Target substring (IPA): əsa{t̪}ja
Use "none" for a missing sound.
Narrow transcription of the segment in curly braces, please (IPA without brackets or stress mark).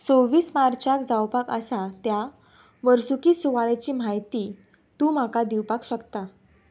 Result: t̪